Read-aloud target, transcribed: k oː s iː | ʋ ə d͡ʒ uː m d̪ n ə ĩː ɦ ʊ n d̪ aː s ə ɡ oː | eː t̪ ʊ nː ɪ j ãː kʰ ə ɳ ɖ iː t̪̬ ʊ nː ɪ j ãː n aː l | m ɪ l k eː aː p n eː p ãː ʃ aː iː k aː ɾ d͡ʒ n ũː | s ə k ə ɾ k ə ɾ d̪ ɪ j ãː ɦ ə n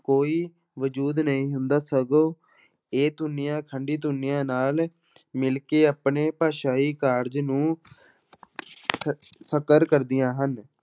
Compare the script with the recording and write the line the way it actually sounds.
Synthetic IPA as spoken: k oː iː | ʋ ə d͡ʒ uː d̪ n ə ĩː ɦ ʊ n d̪ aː s ə ɡ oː | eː t̪ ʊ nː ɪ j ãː kʰ ə ɳ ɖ iː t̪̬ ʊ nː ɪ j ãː n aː l | m ɪ l k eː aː p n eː p aː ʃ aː iː k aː ɾ d͡ʒ n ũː | s ə k ə ɾ k ə ɾ d̪ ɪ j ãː ɦ ə n

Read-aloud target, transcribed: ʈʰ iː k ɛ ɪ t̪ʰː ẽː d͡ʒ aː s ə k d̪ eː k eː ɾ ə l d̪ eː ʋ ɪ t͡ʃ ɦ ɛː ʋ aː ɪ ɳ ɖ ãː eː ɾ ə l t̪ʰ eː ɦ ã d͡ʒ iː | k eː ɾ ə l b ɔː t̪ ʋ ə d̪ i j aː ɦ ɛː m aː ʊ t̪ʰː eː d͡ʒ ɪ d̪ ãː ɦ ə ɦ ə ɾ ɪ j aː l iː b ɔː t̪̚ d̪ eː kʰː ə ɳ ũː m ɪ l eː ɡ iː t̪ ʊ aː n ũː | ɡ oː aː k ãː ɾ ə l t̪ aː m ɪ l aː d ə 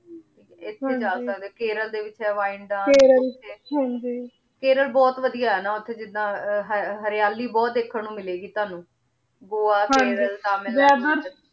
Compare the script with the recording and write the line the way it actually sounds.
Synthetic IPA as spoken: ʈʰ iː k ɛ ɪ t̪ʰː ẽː d͡ʒ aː s ə k d̪ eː k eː ɾ ə l d̪ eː ʋ ɪ t͡ʃ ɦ ɛː ʋ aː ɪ ɳ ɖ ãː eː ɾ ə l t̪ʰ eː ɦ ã d͡ʒ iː | k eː ɾ ə l b ɔː t̪ ʋ ə d̪ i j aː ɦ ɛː n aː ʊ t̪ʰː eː d͡ʒ ɪ d̪ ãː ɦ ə ɦ ə ɾ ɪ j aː l iː b ɔː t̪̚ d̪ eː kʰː ə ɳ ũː m ɪ l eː ɡ iː t̪ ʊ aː n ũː | ɡ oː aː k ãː ɾ ə l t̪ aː m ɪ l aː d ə

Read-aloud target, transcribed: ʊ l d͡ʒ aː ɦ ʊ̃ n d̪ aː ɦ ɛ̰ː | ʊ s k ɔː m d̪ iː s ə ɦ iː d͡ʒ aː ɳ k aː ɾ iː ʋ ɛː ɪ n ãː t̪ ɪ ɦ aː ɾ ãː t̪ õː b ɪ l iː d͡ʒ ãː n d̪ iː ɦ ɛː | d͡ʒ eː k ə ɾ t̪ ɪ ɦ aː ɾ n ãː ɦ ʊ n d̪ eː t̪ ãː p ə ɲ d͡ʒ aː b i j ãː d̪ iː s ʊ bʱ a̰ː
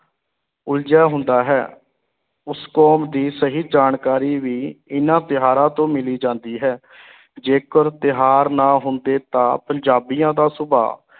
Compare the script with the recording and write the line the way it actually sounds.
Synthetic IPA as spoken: ʊ l d͡ʒ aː ɦ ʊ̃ n d̪ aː ɦ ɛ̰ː | ʊ s k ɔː m d̪ iː s ə ɦ iː d͡ʒ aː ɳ k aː ɾ iː ʋ iː ɪ n ãː t̪ ɪ ɦ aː ɾ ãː t̪ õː m ɪ l iː d͡ʒ ãː n d̪ iː ɦ ɛː | d͡ʒ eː k ə ɾ t̪ ɪ ɦ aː ɾ n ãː ɦ ʊ n d̪ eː t̪ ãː p ə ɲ d͡ʒ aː b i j ãː d̪ aː s ʊ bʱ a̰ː

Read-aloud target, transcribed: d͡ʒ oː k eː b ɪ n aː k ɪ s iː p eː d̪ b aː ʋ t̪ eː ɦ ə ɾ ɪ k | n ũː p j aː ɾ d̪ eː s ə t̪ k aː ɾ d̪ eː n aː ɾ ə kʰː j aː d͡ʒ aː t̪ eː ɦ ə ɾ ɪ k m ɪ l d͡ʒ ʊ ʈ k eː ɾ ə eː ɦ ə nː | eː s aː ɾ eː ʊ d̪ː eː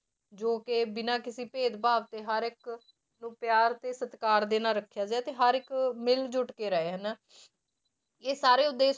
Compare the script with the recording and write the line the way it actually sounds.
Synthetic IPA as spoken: d͡ʒ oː k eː b ɪ n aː k ɪ s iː p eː d̪ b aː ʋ t̪ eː ɦ ə ɾ ɪ k | n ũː p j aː ɾ t̪ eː s ə t̪ k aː ɾ d̪ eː n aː ɾ ə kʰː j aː d͡ʒ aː t̪ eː ɦ ə ɾ ɪ k m ɪ l d͡ʒ ʊ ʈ k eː ɾ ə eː ɦ ə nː | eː s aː ɾ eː ʊ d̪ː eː

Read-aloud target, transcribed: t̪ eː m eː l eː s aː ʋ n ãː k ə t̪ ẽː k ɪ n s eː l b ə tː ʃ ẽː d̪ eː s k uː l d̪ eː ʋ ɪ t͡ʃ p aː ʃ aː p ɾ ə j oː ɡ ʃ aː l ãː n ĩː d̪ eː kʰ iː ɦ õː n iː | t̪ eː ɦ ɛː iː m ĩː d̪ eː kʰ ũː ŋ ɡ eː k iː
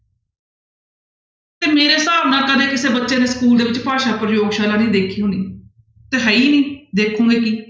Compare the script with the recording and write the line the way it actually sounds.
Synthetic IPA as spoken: t̪ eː m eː ɾ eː s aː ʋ n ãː k ə d̪ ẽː k ɪ s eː b ə tː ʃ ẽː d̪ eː s k uː l d̪ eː ʋ ɪ t͡ʃ p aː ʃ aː p ɾ ə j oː ɡ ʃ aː l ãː n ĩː d̪ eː kʰ iː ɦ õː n iː | t̪ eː ɦ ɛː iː n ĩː d̪ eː kʰ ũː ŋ ɡ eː k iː

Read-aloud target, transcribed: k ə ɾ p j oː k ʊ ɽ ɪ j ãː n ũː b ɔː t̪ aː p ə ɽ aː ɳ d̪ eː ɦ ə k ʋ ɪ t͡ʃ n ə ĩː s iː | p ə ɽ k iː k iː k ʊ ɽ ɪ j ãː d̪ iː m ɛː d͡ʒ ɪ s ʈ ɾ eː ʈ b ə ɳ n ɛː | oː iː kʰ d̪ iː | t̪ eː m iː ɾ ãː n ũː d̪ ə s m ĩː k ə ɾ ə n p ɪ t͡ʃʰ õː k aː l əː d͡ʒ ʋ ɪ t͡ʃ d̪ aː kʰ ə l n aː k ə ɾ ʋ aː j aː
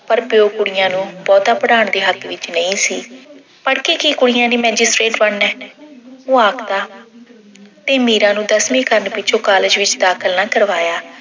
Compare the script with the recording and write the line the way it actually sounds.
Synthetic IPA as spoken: p ə ɾ p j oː k ʊ ɽ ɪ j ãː n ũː b ɔː t̪ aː p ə ɽ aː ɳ d̪ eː ɦ ə k ʋ ɪ t͡ʃ n ə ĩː s iː | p ə ɽ k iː k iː k ʊ ɽ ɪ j ãː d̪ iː m ɛː d͡ʒ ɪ s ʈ ɾ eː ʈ b ə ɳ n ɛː | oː aː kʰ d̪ aː | t̪ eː m iː ɾ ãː n ũː d̪ ə s m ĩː k ə ɾ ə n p ɪ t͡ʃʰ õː k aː l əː d͡ʒ ʋ ɪ t͡ʃ d̪ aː kʰ ə l n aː k ə ɾ ʋ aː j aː

